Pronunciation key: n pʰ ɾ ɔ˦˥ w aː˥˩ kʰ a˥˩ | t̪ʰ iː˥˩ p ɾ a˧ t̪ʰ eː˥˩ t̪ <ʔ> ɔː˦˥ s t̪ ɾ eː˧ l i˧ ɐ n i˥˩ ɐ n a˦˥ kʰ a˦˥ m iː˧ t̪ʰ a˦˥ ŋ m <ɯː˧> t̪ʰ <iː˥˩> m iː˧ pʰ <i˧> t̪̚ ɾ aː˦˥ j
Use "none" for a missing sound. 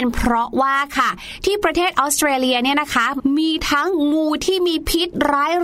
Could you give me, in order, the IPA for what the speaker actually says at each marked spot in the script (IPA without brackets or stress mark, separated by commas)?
ʔ, uː˧, iː˥˩, i˦˥